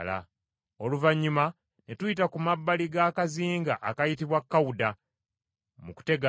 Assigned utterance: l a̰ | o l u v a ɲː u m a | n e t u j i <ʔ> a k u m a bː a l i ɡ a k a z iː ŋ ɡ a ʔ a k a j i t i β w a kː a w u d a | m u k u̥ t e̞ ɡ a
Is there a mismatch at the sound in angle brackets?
yes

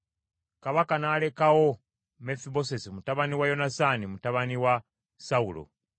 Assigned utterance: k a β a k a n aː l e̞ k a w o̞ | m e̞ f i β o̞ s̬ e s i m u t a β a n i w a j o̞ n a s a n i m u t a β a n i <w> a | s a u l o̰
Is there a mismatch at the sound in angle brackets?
no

